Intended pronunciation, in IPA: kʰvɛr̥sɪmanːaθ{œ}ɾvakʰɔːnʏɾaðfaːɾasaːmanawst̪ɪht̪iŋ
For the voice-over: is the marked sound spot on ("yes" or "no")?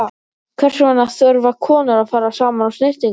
yes